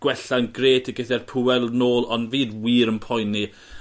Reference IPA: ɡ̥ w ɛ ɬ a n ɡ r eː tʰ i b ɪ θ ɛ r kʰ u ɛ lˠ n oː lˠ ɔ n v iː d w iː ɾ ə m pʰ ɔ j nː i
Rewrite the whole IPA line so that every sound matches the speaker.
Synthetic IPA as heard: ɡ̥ w ɛ ɬ a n ɡ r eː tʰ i ɡ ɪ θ ɛ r pʰ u ɛ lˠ n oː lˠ ɔ n v iː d w iː ɾ ə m pʰ ɔ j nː i